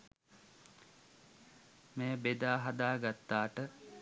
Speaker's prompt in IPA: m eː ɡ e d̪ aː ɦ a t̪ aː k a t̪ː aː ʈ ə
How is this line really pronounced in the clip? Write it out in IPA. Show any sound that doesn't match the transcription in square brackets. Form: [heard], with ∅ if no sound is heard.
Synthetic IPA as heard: m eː [b] e d̪ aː ɦ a [d̪] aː [ɡ] a t̪ː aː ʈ ə

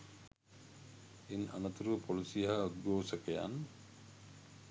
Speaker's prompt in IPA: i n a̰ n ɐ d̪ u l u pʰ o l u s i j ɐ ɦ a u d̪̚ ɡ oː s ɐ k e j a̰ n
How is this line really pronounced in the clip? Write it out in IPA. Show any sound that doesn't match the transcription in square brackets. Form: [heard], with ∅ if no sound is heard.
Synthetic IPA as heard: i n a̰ n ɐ [t̪] u [ɾ] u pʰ o l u s i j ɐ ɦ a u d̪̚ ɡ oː s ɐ k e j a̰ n

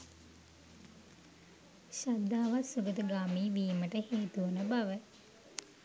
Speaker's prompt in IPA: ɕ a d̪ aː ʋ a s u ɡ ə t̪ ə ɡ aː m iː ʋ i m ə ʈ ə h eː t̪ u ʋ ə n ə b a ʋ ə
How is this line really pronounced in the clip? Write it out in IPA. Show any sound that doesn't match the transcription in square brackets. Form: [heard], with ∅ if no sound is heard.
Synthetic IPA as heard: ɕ a d̪ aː ʋ a s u ɡ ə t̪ ə ɡ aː m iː ʋ [iː] m ə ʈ ə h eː t̪ u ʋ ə n ə b a ʋ ə

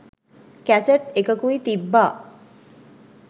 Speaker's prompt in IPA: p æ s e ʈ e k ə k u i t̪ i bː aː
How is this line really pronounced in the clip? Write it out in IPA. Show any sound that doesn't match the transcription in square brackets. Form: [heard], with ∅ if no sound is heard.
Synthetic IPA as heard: [k] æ s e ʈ e k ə k u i t̪ i bː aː

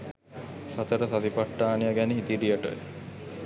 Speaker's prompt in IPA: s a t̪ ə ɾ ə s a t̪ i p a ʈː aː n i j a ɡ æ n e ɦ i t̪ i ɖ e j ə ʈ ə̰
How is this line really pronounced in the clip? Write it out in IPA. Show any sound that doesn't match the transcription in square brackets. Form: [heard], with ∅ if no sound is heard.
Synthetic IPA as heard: s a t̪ ə ɾ ə s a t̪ i p a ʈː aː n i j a ɡ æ n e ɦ i t̪ i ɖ [i] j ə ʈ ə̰

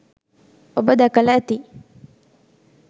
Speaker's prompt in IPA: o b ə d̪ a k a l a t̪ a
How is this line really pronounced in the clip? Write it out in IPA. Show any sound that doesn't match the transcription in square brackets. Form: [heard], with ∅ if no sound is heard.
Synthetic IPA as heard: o b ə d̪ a k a l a t̪ [i]

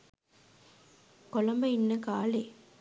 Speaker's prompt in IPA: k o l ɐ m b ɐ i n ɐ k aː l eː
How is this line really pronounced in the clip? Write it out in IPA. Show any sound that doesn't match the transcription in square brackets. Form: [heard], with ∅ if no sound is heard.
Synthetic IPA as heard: k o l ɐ m b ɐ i [nː] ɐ k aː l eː

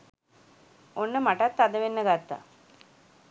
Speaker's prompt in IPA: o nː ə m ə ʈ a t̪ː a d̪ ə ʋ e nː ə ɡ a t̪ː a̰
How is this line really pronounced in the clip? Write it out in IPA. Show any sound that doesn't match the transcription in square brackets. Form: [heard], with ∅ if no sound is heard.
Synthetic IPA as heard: o nː ə m [a] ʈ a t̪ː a d̪ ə ʋ e nː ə ɡ a t̪ː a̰

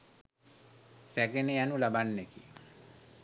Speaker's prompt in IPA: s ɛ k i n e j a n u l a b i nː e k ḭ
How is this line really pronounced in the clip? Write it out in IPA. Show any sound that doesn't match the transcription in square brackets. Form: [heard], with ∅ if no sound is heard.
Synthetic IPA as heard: s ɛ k [e] n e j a n u l a b [a] nː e k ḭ

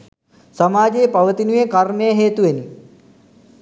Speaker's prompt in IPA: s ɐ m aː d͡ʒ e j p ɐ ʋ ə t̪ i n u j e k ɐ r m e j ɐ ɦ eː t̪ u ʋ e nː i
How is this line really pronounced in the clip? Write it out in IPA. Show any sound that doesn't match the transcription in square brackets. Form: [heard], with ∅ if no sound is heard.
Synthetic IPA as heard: s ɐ m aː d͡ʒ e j p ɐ ʋ ə t̪ i n u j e k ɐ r m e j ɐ ɦ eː t̪ u ʋ e [n] i

